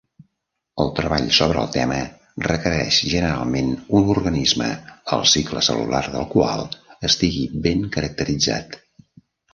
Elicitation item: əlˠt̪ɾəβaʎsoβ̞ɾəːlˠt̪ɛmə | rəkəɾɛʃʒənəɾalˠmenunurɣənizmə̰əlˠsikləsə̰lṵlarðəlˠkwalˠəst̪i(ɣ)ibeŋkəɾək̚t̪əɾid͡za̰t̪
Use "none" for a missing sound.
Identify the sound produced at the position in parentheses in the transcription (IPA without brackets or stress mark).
ɣ